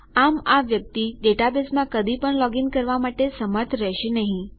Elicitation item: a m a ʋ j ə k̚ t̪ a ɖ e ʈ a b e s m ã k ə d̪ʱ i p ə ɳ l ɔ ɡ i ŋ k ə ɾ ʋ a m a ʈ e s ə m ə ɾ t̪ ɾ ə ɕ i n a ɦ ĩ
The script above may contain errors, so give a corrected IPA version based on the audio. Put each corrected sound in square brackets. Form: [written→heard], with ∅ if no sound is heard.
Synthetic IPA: a m a ʋ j ə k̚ t̪ [a→i] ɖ e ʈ a b e s m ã k ə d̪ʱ i p ə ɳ l ɔ ɡ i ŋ k ə ɾ ʋ a m a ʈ e s ə m ə ɾ [t̪→t̪ʰ] ɾ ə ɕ i n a ɦ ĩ